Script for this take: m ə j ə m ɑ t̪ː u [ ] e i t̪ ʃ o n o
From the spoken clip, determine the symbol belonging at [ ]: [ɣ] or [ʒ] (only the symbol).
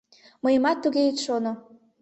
ɣ